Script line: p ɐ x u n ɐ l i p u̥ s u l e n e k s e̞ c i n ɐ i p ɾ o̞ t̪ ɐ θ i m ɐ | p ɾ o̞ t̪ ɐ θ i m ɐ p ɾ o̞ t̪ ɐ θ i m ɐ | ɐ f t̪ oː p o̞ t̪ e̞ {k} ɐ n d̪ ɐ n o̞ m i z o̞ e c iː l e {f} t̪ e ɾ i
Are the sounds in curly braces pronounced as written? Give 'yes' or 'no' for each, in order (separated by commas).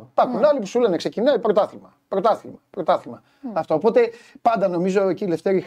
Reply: no, yes